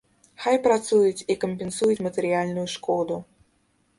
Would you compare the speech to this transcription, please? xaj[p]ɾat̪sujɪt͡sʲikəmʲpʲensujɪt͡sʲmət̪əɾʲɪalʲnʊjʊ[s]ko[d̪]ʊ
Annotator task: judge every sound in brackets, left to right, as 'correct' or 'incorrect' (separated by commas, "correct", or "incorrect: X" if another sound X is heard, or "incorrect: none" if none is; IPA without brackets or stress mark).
correct, incorrect: ʂ, correct